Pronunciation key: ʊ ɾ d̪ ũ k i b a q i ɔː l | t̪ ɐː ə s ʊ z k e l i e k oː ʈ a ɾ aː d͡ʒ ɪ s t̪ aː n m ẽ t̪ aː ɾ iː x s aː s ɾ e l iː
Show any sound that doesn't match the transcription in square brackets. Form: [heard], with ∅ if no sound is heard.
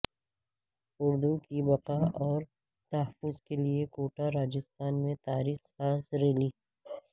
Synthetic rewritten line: ʊ ɾ d̪ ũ k i b [ɐ] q [a] ɔː [ɾ] | t̪ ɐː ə [f] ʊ z k e l i e k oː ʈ a ɾ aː d͡ʒ ɪ s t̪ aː n m ẽ t̪ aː ɾ iː x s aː s ɾ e l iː